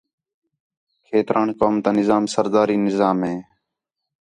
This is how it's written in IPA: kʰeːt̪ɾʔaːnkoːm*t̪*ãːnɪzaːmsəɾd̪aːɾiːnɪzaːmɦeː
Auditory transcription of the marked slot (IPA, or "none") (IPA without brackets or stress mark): t̪